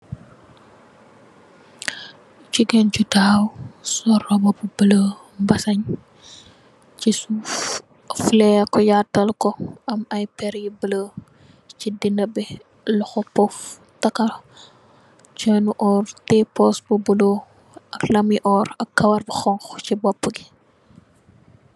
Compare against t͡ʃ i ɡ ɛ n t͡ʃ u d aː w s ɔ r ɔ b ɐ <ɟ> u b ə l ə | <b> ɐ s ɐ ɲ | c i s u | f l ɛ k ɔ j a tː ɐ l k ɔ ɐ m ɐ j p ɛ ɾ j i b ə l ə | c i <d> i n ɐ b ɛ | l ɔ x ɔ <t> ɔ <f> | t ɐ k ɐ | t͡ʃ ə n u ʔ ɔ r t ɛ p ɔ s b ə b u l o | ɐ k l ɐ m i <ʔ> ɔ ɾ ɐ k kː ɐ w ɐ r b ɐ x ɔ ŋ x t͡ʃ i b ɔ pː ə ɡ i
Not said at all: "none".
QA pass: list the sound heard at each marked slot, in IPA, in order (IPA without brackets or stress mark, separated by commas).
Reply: b, b, d, p, f, ʔ